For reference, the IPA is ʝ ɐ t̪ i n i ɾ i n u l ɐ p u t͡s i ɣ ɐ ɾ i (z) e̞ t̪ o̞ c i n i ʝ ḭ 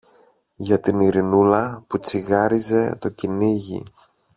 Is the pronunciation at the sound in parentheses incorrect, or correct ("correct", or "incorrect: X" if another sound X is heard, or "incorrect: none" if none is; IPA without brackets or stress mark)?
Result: correct